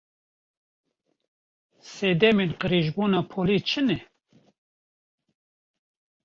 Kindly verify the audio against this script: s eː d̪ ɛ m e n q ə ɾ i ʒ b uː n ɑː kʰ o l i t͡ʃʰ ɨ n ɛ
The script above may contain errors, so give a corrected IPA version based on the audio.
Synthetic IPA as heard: s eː d̪ ɛ m e n q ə ɾ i ʒ b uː n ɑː pʰ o l i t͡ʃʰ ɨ n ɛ

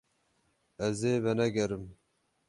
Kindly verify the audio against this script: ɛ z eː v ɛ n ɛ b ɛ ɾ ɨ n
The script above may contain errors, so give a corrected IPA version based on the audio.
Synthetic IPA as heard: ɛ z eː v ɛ n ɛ ɡ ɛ ɾ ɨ m

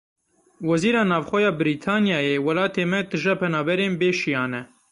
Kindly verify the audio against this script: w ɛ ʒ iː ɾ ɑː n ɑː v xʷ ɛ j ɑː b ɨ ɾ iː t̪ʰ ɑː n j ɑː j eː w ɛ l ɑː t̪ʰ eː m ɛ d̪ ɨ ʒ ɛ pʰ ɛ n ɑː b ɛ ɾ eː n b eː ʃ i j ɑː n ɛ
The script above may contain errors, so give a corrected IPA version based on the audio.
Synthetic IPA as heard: w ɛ z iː ɾ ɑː n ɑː v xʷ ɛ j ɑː b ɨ ɾ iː t̪ʰ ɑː n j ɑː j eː w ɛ l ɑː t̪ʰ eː m ɛ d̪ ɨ ʒ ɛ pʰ ɛ n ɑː b ɛ ɾ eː n b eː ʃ i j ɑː n ɛ

